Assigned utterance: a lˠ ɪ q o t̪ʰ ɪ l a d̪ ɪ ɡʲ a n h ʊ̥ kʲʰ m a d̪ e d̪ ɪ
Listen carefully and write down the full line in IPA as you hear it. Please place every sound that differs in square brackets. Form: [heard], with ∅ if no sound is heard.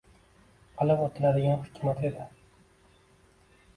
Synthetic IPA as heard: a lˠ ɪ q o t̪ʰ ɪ l a d̪ ɪ ɡʲ a n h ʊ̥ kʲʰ m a [t̪] e d̪ ɪ